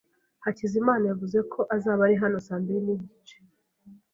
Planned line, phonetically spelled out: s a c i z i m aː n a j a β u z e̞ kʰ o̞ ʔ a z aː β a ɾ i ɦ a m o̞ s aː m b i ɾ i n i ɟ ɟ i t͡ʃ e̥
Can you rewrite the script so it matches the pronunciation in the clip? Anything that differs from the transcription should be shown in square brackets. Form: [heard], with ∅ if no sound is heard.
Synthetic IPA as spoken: [h] a c i z i m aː n a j a [v] u z e̞ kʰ o̞ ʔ a z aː β a ɾ i ɦ a [n] o̞ s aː m b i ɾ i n i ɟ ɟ i t͡ʃ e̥